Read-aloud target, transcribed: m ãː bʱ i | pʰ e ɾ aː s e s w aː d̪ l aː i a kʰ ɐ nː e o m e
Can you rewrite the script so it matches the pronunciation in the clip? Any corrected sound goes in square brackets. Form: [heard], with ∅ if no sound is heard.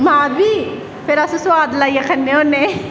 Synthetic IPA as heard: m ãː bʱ i | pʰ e ɾ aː s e s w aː d̪ l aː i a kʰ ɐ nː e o [n] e